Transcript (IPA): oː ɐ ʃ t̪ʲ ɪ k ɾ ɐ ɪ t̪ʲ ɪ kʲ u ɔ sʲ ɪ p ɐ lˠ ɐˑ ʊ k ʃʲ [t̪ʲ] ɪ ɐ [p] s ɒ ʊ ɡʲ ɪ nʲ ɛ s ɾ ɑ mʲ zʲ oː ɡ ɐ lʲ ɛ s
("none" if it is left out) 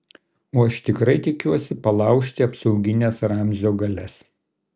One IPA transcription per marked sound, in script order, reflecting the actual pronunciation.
t̪ʲ, p

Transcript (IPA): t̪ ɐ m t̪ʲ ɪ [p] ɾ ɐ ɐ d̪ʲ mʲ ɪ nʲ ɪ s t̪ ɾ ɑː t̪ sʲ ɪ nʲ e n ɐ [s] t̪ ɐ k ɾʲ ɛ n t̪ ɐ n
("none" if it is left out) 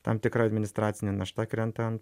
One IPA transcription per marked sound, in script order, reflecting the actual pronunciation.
k, ʃ

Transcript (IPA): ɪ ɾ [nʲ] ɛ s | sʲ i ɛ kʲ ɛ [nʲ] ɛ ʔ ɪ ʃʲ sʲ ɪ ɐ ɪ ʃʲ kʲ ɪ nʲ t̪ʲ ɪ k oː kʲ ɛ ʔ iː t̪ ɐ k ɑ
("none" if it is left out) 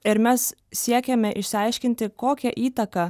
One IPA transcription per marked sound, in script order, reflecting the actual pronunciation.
mʲ, mʲ

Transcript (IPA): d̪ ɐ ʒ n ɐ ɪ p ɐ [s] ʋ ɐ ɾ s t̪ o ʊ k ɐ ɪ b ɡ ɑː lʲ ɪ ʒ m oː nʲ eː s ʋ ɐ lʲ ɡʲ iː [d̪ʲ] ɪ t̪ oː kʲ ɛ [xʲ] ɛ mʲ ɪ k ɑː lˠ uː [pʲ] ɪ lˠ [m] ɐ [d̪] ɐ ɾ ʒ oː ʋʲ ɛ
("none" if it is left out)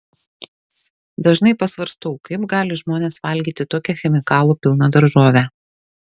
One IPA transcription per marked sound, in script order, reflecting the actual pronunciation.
s, t̪ʲ, xʲ, pʲ, n, d̪

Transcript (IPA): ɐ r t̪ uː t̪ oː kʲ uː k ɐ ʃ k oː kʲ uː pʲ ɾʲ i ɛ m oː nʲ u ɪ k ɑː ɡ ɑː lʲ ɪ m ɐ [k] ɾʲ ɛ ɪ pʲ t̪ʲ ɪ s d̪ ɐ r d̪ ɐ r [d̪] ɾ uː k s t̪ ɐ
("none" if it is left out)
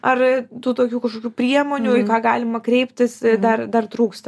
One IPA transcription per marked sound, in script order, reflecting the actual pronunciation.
k, t̪

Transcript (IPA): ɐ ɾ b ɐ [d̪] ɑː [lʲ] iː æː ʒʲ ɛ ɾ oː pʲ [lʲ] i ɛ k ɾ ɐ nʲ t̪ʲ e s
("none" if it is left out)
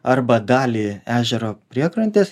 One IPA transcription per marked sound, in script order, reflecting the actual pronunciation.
d̪, lʲ, ɾʲ

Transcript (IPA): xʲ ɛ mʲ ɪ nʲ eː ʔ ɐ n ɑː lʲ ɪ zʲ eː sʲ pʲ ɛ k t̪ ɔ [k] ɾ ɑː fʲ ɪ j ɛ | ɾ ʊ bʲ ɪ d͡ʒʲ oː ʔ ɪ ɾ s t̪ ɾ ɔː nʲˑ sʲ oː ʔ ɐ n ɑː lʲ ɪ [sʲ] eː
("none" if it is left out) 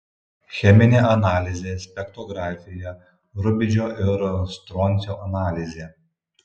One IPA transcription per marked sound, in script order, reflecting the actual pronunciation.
ɡ, zʲ

